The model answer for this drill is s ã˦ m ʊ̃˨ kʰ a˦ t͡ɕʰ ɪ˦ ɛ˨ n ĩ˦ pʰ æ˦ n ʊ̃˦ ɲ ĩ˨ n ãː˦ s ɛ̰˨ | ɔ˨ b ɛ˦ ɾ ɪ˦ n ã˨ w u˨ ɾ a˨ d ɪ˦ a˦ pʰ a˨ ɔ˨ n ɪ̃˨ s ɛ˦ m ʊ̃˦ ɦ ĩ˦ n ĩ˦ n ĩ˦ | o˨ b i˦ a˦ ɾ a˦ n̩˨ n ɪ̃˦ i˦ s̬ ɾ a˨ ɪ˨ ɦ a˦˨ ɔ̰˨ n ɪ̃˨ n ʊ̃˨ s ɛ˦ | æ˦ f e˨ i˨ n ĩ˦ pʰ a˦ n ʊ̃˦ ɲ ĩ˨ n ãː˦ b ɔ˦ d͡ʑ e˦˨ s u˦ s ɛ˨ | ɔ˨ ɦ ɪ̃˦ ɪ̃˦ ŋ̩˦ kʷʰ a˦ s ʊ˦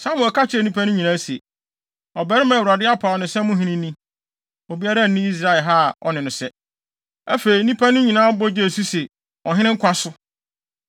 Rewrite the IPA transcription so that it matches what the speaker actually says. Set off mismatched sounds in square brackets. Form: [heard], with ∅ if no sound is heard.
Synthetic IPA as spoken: s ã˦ m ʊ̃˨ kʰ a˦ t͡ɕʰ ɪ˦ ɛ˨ n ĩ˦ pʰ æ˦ n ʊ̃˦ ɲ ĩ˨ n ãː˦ s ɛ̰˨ | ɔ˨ b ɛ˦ ɾ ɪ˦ [m] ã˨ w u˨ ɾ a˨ d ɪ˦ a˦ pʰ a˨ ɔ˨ n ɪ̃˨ s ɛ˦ m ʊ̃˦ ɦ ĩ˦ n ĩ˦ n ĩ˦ | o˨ b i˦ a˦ ɾ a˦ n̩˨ n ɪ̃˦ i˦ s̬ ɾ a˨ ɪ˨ ɦ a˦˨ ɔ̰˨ n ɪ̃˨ n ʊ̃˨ s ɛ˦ | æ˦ f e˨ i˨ n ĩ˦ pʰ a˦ n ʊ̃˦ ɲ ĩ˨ n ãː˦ b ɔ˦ d͡ʑ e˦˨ s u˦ s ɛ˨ | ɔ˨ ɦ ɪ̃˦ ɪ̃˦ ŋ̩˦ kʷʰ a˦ s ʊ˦